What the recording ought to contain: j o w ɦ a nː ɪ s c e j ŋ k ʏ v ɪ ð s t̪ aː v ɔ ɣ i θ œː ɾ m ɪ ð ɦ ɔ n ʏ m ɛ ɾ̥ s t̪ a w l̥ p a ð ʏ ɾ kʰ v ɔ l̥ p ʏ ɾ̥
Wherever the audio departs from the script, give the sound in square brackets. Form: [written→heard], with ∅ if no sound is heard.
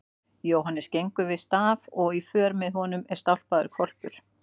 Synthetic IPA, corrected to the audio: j o w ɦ a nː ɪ s c e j ŋ k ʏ v ɪ ð s t̪ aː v ɔ ɣ i [θ→f] œː ɾ m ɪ ð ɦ ɔ n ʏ m ɛ ɾ̥ s t̪ a w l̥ p a ð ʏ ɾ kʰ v ɔ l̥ p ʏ ɾ̥